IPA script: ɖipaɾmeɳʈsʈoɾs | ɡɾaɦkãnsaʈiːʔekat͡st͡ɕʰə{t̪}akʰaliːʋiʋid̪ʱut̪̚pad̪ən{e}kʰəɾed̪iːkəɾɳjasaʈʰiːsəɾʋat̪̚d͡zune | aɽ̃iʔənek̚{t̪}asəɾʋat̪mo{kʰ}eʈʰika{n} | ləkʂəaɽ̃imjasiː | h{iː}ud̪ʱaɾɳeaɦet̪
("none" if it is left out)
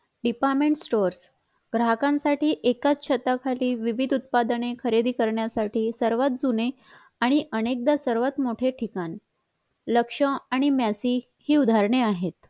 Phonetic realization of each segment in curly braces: t̪, e, d̪, ʈʰ, n, iː

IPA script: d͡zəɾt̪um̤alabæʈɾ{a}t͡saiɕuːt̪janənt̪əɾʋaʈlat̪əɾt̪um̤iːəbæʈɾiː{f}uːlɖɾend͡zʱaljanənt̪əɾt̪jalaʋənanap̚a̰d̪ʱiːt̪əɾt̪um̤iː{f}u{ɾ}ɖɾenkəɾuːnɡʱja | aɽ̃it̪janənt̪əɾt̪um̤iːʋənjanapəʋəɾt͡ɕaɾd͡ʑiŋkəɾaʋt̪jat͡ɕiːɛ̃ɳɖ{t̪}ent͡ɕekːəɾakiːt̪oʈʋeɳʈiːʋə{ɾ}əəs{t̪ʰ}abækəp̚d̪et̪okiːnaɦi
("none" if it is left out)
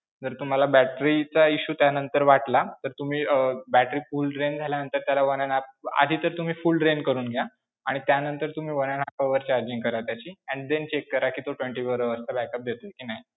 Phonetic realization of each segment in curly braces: i, f, f, l, d̪, ɾ, t̪

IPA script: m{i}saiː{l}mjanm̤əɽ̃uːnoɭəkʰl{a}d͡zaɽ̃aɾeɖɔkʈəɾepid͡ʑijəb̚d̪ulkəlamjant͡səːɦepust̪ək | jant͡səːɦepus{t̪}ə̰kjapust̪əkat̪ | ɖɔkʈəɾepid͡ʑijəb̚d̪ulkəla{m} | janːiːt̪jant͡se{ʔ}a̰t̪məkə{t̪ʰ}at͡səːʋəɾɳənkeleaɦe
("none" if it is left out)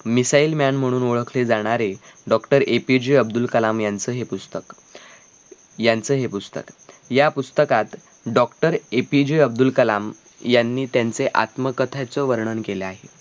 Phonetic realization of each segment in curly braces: i, l, e, t̪, m, ʔ, t̪ʰ

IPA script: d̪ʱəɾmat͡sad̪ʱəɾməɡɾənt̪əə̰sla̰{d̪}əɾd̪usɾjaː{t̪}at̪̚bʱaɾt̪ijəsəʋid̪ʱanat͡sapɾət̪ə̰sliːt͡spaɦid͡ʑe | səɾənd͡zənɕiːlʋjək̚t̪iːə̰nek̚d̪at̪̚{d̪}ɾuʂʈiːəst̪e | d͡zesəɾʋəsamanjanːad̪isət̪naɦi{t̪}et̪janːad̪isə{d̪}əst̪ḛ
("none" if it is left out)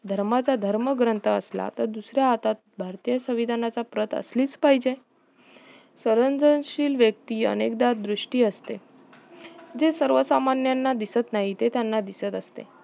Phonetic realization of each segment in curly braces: t̪, t̪, d̪, t̪, t̪

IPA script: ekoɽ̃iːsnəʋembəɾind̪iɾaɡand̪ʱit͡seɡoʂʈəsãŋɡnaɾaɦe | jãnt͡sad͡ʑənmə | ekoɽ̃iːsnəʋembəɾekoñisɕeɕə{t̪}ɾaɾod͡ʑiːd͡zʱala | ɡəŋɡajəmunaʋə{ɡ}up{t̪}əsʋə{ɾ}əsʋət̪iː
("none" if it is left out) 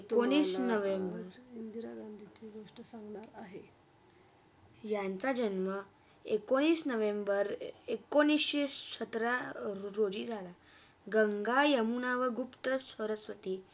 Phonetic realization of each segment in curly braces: t̪, ɡ, t̪, ɾ

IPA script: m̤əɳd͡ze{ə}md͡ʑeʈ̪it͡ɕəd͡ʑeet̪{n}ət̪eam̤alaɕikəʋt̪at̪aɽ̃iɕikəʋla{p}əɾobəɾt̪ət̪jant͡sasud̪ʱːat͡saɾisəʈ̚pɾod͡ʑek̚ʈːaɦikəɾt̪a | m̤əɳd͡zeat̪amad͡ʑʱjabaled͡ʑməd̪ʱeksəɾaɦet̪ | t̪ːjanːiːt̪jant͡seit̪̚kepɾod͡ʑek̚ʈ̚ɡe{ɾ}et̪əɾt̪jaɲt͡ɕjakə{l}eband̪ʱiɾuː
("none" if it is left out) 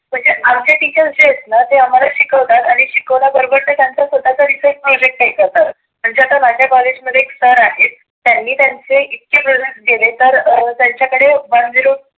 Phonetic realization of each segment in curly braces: a, n, b, l, ɽ

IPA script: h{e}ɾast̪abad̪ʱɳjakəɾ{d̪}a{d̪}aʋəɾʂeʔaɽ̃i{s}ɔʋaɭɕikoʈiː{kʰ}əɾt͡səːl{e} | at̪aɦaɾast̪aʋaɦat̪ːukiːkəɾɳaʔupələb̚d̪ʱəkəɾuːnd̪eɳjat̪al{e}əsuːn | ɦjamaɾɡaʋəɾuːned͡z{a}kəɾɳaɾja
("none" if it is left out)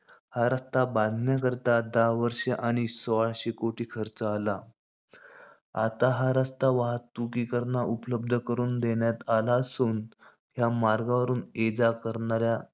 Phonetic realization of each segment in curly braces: a, t̪, d̪, s, kʰ, a, a, a

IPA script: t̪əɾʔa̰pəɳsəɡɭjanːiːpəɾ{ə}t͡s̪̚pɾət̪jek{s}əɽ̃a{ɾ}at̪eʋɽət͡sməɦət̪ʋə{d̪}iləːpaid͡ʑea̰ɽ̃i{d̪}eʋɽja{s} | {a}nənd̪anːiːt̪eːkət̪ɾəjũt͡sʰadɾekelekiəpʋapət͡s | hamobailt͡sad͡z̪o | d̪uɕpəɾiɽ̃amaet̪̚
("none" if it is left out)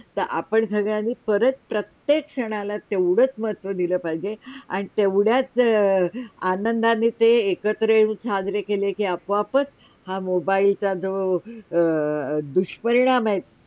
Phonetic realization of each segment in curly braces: ə, ʂ, l, d̪, t̪, t͡s, a

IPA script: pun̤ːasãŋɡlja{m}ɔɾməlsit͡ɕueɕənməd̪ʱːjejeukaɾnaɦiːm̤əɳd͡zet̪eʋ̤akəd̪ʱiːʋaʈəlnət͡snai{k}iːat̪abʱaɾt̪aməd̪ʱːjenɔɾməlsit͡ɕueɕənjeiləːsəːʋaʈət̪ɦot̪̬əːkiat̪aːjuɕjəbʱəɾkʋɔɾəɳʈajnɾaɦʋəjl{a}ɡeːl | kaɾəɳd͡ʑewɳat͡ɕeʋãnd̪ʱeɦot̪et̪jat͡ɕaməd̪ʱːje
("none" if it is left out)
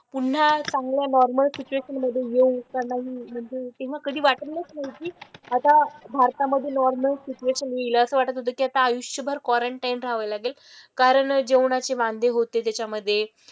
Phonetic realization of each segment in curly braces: n, k, a

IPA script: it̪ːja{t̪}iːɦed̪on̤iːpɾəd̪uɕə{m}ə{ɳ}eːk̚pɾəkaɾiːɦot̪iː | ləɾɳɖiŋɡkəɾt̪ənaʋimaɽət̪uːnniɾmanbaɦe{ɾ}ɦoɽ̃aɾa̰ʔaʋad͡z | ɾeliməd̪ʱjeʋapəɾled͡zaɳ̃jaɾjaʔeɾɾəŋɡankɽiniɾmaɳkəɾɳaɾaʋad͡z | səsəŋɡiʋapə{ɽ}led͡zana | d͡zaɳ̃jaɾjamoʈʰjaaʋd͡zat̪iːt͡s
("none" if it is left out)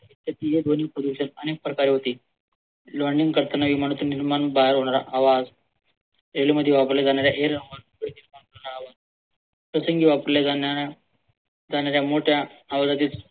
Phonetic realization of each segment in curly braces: t̪, n, n, ɾ, ɾ

